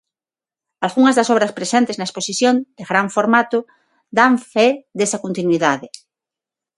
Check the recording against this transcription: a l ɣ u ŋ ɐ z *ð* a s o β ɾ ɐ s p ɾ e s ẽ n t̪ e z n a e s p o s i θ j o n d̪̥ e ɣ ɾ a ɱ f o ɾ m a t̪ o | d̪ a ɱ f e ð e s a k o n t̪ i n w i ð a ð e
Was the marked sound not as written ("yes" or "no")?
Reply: no